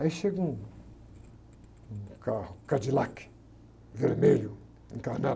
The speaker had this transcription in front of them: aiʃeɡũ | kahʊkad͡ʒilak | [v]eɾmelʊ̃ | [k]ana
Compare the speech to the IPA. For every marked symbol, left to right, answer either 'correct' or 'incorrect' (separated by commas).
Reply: correct, correct